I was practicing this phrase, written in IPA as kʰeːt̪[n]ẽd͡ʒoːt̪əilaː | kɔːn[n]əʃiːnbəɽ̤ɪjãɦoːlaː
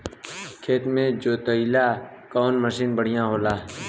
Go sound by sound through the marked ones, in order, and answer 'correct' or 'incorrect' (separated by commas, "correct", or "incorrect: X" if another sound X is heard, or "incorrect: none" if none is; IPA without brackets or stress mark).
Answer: incorrect: m, incorrect: m